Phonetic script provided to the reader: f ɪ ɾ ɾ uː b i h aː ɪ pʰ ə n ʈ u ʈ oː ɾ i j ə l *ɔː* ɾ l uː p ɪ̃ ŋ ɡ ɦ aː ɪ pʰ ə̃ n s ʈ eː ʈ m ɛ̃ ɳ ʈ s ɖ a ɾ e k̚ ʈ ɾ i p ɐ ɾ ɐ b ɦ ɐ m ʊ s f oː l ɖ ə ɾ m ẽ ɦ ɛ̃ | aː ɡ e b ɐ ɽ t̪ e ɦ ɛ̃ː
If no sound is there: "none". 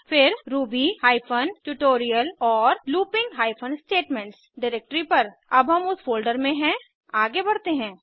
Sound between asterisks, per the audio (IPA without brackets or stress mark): ɔː